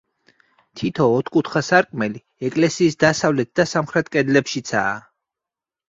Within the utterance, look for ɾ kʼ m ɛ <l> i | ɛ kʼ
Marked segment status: correct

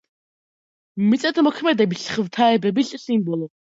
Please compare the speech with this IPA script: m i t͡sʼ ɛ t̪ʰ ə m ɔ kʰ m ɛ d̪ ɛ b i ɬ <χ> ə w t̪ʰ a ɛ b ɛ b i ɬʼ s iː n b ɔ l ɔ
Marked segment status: correct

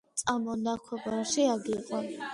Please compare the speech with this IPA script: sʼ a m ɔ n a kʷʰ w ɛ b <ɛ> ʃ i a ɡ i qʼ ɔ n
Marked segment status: incorrect: a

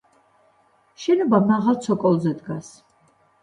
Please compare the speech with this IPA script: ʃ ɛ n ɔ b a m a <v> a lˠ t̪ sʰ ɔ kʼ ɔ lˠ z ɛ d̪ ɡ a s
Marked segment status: incorrect: ʁ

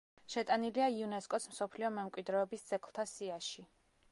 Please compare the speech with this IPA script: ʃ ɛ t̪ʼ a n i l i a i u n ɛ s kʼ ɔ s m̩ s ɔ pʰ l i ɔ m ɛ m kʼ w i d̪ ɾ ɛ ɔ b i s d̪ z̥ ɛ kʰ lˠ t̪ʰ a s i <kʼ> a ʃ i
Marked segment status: incorrect: none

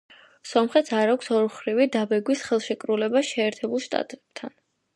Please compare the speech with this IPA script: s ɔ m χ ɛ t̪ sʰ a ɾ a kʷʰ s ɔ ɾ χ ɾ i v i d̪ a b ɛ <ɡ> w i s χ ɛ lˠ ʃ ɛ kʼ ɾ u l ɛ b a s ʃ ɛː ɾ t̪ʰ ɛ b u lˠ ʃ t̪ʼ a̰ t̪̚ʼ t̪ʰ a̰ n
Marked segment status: correct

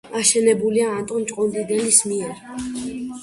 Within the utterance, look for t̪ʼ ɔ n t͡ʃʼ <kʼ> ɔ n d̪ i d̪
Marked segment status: incorrect: qʼ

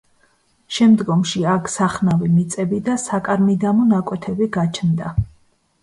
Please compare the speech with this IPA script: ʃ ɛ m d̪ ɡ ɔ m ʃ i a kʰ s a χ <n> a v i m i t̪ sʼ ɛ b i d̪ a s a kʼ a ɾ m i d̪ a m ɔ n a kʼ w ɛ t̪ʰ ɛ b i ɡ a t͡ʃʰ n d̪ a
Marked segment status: correct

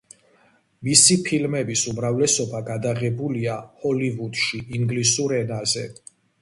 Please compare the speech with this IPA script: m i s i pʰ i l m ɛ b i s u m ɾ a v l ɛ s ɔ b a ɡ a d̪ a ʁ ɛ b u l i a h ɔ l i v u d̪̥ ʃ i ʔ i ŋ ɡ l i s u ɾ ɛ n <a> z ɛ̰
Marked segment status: correct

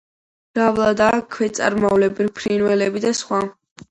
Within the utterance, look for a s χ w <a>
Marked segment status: correct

